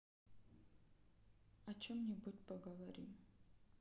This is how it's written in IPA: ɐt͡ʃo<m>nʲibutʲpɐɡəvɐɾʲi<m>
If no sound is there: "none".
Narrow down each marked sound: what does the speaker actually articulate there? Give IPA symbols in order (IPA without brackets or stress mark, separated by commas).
m, m